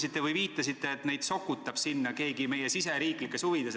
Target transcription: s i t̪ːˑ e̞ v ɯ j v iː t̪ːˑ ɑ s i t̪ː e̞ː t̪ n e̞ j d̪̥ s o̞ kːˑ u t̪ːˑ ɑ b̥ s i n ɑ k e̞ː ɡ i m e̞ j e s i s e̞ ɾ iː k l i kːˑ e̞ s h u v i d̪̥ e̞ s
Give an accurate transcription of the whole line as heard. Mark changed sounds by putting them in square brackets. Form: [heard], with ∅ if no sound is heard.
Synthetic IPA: s i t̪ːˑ e̞ v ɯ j v iː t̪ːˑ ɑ s i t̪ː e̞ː t̪ n e̞ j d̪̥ s o̞ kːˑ u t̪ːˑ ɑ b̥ s i [nː] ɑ k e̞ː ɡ i m e̞ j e s i s e̞ ɾ iː k l i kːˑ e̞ s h u v i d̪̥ e̞ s